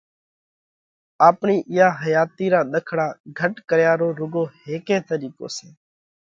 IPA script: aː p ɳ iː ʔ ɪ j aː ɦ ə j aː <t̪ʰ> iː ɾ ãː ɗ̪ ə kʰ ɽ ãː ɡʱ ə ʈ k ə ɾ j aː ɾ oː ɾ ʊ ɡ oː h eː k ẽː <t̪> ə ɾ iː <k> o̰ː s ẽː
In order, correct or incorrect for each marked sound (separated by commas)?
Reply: incorrect, correct, correct